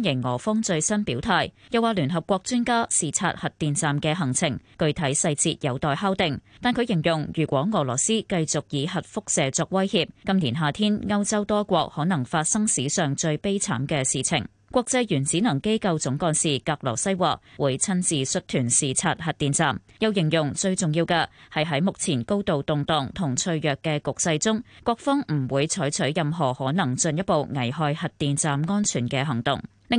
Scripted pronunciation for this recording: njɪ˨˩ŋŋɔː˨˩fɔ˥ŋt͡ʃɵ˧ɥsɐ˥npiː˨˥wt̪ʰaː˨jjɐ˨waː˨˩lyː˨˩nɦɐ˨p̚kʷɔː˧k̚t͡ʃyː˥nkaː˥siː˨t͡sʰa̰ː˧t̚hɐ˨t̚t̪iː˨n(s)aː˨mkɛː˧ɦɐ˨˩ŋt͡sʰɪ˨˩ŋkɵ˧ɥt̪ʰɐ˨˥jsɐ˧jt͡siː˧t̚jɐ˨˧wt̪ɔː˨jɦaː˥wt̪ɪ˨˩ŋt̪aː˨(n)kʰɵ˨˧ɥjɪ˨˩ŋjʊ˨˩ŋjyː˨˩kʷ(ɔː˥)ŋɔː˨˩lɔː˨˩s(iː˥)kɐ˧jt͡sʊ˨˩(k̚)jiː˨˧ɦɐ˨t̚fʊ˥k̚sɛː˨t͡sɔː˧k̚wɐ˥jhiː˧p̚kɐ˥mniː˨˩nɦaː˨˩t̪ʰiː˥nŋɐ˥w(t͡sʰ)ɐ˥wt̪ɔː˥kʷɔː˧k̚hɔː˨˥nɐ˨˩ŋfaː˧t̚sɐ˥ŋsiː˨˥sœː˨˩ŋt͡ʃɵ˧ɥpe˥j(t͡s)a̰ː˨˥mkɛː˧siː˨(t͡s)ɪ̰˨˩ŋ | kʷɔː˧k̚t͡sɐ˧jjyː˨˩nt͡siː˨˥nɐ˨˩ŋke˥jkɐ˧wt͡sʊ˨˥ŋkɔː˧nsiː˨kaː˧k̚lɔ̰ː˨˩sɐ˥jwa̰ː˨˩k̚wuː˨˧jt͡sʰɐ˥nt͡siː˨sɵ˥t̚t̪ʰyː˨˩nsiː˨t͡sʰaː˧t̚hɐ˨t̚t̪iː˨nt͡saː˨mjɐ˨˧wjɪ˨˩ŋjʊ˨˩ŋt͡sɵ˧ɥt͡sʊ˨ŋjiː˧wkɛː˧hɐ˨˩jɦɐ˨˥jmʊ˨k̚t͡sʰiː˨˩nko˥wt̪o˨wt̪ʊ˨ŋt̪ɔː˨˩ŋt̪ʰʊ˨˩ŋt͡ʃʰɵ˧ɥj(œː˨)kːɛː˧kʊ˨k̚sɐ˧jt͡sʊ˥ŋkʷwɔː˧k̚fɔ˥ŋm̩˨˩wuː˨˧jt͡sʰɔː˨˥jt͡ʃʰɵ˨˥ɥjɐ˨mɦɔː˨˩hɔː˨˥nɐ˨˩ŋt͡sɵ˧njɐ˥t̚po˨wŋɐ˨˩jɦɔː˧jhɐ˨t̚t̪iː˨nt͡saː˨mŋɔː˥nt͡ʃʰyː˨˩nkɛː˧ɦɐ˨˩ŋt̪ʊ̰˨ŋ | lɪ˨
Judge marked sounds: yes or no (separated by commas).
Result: no, yes, no, yes, yes, no, no, no, yes